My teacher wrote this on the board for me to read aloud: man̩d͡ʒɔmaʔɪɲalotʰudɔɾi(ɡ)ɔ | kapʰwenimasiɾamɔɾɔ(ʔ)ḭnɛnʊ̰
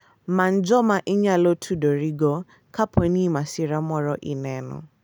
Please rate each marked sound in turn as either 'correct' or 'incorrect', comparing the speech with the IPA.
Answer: correct, correct

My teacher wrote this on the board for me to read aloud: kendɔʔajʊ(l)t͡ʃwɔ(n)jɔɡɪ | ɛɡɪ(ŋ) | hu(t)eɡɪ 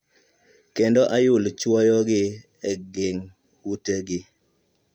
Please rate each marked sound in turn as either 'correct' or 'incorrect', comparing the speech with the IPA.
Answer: correct, incorrect: none, correct, correct

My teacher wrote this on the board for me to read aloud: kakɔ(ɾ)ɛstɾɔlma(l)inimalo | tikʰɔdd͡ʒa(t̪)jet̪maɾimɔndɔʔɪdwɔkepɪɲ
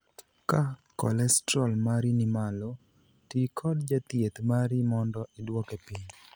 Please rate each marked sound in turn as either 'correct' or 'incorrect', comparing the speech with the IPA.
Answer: incorrect: l, incorrect: ɾ, correct

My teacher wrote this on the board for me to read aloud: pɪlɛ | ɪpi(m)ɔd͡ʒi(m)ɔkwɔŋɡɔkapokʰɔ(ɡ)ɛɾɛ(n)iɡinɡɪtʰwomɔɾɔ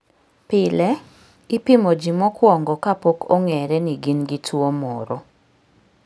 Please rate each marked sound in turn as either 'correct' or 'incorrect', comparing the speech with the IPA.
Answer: correct, correct, incorrect: ŋ, correct

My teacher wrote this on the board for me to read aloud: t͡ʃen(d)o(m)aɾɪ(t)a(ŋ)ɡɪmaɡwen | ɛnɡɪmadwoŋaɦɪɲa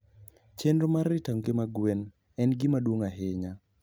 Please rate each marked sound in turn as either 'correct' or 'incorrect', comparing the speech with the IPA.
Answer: correct, correct, correct, correct

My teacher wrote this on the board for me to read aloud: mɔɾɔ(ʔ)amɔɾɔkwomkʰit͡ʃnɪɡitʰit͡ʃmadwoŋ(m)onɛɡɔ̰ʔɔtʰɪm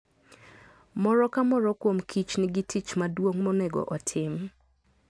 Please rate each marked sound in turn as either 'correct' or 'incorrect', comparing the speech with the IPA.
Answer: incorrect: k, correct

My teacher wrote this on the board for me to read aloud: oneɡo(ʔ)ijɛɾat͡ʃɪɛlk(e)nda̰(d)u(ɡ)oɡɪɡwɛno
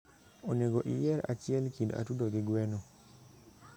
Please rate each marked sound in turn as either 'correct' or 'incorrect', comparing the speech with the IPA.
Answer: correct, incorrect: i, incorrect: t, incorrect: d

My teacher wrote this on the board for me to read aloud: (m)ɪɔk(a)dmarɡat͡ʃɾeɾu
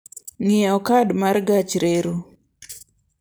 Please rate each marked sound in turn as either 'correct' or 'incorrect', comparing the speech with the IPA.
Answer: incorrect: ŋ, correct

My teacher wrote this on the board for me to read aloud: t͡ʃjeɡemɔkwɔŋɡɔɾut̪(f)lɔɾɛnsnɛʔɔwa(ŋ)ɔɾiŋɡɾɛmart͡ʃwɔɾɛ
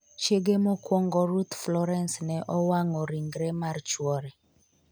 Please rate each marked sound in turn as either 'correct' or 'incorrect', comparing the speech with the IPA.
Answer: correct, correct

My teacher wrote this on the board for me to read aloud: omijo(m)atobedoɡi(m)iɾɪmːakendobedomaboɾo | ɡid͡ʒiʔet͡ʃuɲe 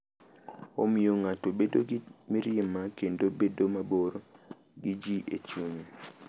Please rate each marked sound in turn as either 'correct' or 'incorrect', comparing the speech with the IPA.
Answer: incorrect: ŋ, correct

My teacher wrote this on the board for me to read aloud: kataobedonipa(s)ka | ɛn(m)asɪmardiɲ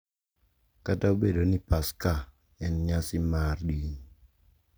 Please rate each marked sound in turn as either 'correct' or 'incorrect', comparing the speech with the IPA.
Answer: correct, incorrect: ɲ

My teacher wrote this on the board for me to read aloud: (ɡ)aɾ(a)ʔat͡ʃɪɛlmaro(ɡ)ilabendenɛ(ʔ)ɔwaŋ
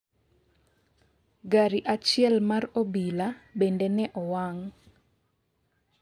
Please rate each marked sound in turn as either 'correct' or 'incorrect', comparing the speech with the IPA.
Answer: correct, incorrect: i, incorrect: b, correct

